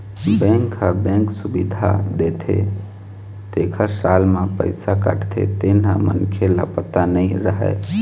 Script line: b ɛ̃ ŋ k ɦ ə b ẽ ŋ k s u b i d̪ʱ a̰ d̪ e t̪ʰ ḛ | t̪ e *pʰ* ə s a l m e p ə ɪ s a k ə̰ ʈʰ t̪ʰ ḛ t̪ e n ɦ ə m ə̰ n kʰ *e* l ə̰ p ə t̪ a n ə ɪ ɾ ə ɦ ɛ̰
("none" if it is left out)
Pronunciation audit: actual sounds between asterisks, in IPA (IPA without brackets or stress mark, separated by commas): kʰ, e